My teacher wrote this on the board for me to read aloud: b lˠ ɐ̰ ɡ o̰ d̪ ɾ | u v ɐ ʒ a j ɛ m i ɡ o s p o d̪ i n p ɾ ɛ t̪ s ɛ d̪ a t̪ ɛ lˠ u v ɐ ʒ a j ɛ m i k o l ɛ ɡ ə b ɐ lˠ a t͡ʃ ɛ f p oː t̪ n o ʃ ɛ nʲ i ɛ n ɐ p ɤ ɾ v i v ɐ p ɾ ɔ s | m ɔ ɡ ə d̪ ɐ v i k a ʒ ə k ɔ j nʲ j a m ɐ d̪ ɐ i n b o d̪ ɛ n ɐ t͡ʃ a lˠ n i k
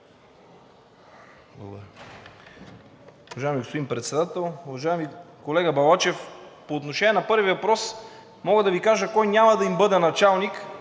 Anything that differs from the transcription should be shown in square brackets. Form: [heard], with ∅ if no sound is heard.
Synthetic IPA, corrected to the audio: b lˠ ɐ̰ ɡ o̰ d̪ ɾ | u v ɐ ʒ a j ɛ m i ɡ o s p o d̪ i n p ɾ ɛ t̪ s ɛ d̪ a t̪ ɛ lˠ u v ɐ ʒ a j ɛ m i k o l ɛ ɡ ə b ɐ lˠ a t͡ʃ ɛ f p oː t̪ n o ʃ ɛ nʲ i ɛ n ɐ p ɤ ɾ v i v ɐ p ɾ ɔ s | m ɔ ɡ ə d̪ ɐ v i k a ʒ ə k ɔ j nʲ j a m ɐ d̪ ɐ i [m] b [ɤ] d̪ ɛ n ɐ t͡ʃ a lˠ n i k

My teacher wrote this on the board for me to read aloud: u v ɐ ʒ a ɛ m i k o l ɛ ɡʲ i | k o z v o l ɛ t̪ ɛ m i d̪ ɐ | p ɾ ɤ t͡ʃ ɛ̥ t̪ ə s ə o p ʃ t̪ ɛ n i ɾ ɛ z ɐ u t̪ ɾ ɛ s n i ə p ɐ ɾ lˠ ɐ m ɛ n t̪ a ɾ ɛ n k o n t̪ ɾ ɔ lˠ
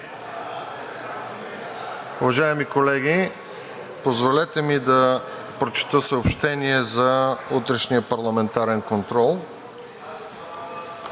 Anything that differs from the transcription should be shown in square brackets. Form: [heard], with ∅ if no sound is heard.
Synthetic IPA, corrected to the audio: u v ɐ ʒ a ɛ m i k o l ɛ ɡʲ i | [p] o z v o l ɛ t̪ ɛ m i d̪ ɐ | p ɾ [o] t͡ʃ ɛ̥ t̪ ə s ə o p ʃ t̪ ɛ n i [∅] ɛ z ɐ u t̪ ɾ ɛ [ʃ] n i ə p ɐ ɾ lˠ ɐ m ɛ n t̪ a ɾ ɛ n k o n t̪ ɾ ɔ lˠ

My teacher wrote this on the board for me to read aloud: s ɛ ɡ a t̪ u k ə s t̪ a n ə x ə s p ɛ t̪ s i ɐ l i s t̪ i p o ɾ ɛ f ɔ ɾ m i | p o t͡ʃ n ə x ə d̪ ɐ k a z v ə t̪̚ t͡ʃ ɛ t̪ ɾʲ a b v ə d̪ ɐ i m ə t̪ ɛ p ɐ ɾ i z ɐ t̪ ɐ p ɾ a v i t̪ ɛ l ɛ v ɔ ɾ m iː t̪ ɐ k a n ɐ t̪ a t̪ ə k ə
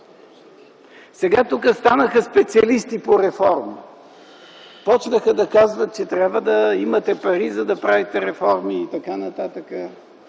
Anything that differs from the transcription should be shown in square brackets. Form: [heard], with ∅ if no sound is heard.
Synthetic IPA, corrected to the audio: s ɛ ɡ a t̪ u k ə s t̪ a n ə x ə s p ɛ t̪ s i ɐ l i s t̪ i p o ɾ ɛ f ɔ ɾ m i | p [ɔ] t͡ʃ n ə x ə d̪ ɐ k a z v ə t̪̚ t͡ʃ ɛ t̪ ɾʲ a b v ə d̪ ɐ i m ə t̪ ɛ p ɐ ɾ i z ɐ [d̪] ɐ p ɾ a v i t̪ ɛ [ɾ] ɛ [f] ɔ ɾ m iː t̪ ɐ k a n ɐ t̪ a t̪ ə k ə

